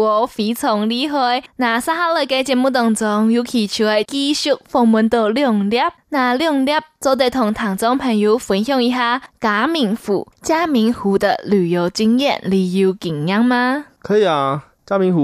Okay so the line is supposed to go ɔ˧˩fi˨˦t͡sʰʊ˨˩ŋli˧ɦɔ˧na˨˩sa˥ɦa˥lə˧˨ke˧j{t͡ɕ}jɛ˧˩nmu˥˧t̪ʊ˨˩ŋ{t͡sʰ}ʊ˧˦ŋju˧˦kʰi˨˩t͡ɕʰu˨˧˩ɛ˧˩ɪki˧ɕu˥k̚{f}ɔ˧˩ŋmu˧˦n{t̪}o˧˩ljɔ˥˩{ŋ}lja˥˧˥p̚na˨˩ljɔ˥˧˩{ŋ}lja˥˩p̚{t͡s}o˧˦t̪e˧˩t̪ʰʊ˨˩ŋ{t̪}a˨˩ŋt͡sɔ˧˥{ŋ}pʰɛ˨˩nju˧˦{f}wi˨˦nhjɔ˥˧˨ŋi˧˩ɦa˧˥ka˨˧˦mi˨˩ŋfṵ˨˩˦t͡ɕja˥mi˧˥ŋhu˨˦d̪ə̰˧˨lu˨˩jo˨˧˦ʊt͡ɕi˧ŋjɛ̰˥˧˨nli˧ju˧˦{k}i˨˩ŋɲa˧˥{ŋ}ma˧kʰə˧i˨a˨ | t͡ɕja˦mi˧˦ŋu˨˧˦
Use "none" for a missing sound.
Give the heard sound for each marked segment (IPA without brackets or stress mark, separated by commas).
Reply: t͡ɕ, t͡s, f, t̪, ŋ, ŋ, t͡s, t̪ʰ, ŋ, f, k, ŋ